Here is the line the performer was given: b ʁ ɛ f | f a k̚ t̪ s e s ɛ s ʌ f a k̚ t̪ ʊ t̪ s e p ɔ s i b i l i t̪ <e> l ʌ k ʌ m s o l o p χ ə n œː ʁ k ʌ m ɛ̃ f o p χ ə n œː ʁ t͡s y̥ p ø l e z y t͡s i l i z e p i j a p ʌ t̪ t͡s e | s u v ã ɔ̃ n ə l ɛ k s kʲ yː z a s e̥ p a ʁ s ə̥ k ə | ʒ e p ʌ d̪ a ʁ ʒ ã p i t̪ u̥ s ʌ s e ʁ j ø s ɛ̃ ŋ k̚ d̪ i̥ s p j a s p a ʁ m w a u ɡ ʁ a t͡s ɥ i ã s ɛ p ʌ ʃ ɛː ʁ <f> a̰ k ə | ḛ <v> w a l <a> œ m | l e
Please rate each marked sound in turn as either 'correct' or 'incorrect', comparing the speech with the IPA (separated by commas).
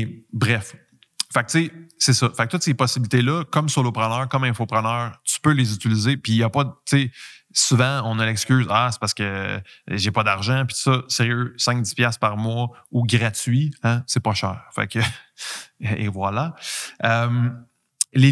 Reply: correct, correct, correct, correct